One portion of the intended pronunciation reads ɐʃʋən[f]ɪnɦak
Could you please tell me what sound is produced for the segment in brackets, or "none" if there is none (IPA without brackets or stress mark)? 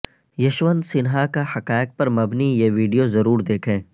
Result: s